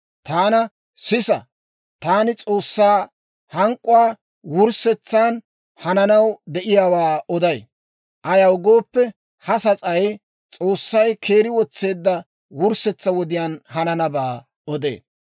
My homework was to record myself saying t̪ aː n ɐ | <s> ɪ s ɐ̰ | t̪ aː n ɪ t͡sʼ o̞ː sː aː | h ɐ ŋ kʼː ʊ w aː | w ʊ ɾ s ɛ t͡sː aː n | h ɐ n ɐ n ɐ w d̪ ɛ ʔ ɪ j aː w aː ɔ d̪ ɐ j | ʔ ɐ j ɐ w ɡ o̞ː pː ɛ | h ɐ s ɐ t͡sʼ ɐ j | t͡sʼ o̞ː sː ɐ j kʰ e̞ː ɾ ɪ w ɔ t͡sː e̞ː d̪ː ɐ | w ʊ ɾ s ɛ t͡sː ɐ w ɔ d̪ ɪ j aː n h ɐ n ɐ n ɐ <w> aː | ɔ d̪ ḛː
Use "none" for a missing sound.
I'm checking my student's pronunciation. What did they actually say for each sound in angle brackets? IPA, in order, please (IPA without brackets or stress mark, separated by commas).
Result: s, b